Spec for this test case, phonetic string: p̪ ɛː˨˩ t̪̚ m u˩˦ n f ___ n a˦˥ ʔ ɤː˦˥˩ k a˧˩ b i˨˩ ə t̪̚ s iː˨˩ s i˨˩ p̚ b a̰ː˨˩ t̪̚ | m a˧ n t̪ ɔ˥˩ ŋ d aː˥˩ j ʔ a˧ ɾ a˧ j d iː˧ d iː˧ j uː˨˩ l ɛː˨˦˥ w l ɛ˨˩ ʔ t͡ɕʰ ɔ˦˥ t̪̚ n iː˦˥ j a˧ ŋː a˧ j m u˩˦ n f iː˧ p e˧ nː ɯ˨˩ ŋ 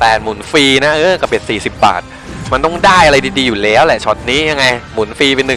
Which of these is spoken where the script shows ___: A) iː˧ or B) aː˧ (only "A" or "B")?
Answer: A